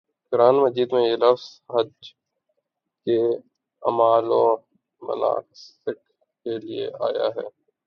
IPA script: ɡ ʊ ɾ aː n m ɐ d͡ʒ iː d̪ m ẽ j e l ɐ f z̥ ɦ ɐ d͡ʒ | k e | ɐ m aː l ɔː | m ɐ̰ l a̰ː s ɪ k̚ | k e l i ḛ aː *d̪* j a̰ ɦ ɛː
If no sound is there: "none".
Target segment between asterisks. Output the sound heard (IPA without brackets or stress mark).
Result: none